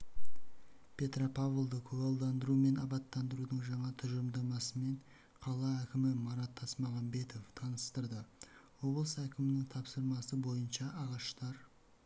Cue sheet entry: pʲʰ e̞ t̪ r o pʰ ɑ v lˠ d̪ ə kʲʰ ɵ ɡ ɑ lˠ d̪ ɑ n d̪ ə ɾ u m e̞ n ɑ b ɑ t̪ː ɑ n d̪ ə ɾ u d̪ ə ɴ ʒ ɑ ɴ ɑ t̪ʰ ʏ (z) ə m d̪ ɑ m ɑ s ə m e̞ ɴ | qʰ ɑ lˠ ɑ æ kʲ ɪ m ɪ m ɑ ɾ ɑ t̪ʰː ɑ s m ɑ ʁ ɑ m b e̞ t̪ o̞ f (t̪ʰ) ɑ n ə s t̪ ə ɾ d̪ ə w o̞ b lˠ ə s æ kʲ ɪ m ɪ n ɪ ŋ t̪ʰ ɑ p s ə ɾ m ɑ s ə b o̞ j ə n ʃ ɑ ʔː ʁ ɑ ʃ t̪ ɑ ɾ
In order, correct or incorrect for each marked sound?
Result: incorrect: ʒ, correct

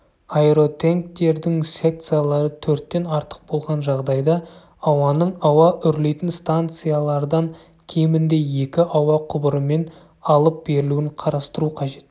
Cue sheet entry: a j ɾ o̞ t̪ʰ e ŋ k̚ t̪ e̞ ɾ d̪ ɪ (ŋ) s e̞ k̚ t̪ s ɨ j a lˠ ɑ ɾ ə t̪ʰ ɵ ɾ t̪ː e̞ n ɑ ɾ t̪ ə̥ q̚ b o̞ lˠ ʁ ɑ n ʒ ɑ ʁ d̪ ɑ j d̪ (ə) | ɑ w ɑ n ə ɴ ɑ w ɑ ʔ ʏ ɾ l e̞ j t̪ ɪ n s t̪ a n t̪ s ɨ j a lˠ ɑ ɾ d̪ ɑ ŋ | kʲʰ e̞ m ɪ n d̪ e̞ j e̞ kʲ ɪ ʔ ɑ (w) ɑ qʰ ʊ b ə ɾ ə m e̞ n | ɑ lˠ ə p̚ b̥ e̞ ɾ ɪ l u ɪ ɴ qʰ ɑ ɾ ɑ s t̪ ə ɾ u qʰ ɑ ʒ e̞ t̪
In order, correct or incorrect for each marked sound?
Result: correct, incorrect: ɑ, correct

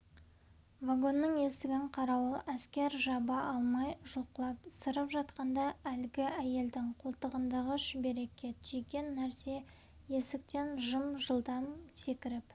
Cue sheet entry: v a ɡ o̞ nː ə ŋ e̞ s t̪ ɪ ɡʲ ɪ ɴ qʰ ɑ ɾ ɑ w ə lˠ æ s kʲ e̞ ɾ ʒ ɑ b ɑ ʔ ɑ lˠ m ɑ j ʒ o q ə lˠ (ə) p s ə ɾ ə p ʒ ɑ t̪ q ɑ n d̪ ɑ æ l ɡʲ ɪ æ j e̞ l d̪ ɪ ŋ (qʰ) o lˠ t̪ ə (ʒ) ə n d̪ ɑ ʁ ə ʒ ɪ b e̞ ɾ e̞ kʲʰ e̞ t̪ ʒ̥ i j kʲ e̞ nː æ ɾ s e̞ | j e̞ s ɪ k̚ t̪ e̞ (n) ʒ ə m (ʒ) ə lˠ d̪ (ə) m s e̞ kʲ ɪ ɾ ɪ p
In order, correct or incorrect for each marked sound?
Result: incorrect: ɑ, correct, incorrect: ʁ, correct, correct, incorrect: ɑ

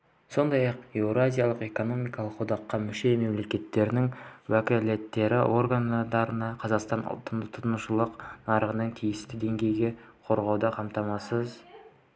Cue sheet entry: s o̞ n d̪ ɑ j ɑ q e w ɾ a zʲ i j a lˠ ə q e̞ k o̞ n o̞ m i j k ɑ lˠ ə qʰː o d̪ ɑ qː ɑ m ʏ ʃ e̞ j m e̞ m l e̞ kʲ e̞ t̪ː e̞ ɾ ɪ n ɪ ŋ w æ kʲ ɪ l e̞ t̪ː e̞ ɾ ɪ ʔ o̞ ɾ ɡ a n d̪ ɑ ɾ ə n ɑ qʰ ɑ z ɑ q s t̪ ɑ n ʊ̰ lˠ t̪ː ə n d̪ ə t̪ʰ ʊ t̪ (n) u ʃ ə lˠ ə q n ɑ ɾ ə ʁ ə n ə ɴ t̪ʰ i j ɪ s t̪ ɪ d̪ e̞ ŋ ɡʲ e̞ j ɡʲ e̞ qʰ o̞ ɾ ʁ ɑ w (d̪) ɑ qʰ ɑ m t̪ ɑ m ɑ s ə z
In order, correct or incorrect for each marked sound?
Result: correct, correct

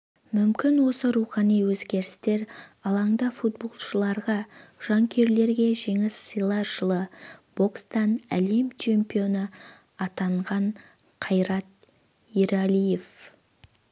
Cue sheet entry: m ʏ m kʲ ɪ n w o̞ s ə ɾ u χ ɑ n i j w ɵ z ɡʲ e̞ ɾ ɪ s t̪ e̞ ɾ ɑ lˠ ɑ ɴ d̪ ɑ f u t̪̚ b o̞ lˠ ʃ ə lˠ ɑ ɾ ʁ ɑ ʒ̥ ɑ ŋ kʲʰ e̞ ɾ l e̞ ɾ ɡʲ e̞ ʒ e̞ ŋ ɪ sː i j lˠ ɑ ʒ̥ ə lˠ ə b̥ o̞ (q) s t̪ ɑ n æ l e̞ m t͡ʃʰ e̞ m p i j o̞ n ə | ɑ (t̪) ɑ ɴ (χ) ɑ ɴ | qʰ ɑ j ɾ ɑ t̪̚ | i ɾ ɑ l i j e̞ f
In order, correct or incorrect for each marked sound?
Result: incorrect: k, correct, incorrect: ʁ

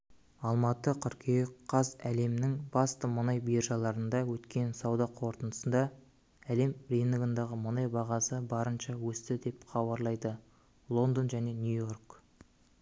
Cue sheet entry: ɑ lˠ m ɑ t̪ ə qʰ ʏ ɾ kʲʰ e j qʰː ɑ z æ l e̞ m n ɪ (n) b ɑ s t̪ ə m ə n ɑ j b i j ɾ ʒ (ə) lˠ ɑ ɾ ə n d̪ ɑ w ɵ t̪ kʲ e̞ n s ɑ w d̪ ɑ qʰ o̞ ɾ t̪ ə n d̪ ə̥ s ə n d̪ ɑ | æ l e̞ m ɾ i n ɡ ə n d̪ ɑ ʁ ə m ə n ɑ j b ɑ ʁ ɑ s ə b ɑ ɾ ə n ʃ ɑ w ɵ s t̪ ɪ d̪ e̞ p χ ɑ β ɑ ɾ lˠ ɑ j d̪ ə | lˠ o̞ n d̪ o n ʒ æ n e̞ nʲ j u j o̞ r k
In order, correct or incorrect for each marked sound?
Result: incorrect: ŋ, incorrect: ɑ

